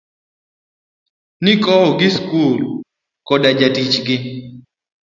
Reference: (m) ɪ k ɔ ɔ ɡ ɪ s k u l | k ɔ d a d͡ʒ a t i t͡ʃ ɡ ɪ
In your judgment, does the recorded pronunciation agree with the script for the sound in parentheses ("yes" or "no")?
no